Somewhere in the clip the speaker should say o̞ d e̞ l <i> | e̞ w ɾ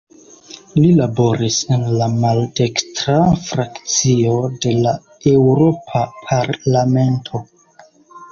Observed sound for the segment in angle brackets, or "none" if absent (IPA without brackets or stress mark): a